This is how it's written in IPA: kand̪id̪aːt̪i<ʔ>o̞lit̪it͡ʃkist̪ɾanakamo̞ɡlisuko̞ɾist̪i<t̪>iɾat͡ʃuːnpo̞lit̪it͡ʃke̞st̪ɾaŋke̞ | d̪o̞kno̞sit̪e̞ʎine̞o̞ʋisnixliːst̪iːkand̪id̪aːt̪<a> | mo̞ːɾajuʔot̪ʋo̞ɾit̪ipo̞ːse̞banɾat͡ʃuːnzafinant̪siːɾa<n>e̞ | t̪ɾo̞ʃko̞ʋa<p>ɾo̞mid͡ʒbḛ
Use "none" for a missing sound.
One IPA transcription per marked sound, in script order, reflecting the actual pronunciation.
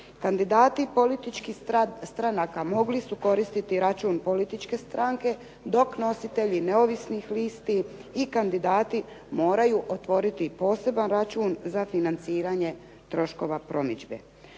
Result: p, t̪, i, ɲ, p

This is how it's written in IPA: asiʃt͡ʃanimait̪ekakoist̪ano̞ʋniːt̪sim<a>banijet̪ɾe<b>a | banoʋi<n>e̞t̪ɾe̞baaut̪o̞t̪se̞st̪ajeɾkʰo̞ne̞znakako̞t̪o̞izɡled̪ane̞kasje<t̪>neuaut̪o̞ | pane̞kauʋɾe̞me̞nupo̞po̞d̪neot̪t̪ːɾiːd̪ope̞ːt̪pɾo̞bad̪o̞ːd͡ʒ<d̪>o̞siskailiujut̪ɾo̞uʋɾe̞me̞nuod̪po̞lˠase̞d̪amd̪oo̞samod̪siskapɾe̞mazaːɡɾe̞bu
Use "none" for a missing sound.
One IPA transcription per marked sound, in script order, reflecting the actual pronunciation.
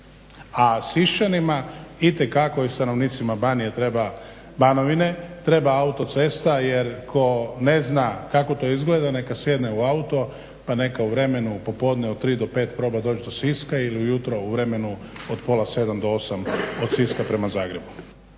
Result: a, b, n, d̪, d̪

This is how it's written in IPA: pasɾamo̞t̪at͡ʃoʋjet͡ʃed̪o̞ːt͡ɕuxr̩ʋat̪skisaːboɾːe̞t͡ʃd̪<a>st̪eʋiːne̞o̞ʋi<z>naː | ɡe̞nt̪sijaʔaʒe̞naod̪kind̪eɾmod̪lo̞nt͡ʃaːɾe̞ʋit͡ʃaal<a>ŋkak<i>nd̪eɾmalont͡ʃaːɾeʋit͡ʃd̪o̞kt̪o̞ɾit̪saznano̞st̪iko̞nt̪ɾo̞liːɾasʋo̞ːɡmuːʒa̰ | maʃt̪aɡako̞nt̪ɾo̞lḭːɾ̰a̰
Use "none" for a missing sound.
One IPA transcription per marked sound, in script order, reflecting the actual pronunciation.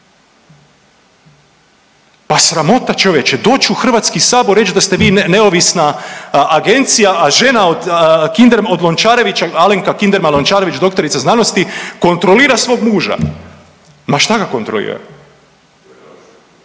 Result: a, s, e, i

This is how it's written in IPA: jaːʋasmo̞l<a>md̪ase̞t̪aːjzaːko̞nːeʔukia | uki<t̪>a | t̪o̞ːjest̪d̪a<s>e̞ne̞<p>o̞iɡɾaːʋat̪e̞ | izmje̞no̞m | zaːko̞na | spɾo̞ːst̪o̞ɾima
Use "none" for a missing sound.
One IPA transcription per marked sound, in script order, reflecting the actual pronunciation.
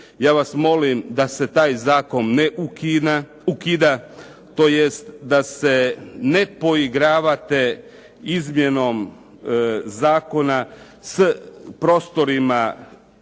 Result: i, d̪, s, p

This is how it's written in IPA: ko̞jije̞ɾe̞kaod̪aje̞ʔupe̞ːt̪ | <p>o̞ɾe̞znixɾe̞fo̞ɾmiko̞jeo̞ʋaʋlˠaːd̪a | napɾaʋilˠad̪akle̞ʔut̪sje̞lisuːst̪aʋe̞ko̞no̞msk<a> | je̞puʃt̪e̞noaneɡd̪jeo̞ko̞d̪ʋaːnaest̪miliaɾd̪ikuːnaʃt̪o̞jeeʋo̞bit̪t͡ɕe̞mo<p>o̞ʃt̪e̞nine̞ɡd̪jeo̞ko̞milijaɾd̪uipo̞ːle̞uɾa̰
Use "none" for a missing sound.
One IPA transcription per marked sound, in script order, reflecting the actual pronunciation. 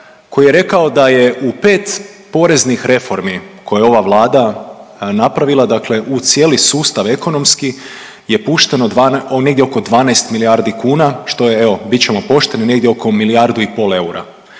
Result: p, i, p

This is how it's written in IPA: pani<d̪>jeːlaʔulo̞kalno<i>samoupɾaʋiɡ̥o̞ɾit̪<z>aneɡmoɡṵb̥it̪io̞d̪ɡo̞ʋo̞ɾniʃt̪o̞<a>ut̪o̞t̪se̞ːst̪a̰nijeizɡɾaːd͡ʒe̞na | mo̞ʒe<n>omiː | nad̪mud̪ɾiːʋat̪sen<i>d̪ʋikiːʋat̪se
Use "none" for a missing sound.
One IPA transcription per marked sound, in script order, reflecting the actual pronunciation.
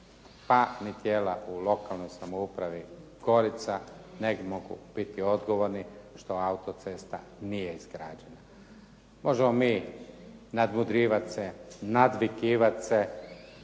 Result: t̪, j, s, a, m, a

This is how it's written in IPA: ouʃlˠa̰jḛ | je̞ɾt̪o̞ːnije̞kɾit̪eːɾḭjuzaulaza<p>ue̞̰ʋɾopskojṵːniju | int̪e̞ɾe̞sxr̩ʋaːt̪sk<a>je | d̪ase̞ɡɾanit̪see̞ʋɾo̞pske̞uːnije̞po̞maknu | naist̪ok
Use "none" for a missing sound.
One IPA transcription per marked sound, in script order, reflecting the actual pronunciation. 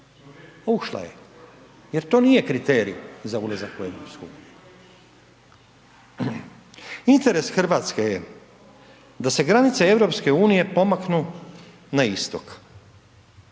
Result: k, e

